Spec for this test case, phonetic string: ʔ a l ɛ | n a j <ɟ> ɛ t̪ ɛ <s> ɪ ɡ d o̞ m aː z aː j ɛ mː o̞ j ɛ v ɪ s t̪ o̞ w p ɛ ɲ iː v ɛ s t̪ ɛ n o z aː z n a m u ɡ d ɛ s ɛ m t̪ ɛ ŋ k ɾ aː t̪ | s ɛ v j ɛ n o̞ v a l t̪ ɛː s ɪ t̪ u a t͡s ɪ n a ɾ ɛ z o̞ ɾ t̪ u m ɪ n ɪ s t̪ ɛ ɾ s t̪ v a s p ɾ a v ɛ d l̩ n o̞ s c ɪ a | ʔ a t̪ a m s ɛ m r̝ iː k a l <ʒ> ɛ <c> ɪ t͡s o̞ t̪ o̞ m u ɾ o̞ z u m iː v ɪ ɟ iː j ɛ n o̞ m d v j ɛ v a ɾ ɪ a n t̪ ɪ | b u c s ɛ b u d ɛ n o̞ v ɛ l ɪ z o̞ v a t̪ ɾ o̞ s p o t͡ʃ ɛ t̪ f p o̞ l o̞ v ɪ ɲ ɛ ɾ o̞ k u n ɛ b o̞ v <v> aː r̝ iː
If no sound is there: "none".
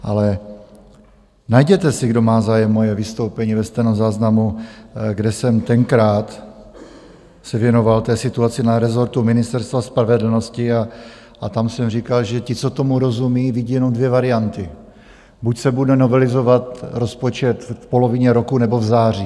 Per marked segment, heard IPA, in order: ɟ, s, ʒ, c, z

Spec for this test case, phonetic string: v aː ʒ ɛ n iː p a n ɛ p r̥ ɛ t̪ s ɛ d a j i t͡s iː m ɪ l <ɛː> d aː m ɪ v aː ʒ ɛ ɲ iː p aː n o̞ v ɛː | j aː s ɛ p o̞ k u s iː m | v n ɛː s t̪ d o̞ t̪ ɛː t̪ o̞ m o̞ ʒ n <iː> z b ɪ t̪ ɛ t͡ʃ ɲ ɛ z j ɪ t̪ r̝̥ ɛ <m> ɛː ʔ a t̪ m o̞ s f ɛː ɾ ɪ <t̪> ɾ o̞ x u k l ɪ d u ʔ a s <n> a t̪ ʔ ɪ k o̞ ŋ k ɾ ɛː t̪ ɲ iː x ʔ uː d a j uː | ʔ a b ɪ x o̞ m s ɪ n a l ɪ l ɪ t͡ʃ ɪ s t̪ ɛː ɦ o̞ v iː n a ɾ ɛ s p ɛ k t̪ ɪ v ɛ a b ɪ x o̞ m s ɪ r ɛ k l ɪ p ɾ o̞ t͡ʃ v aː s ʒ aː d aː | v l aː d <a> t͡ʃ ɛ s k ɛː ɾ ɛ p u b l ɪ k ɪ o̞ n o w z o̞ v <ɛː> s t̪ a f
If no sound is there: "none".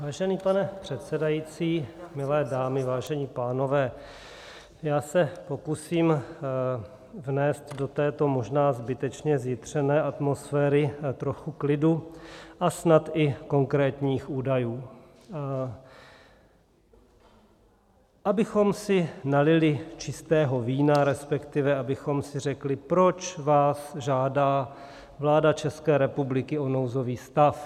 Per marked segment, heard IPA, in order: ɛː, aː, n, t̪, n, a, iː

